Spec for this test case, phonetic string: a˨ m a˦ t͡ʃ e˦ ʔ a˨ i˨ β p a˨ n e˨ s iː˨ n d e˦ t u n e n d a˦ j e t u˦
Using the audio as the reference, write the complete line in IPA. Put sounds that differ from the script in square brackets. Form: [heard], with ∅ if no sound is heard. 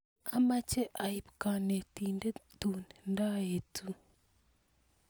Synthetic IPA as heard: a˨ m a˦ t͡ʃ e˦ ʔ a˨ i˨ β [k] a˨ n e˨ [t] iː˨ n d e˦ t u n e n d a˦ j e t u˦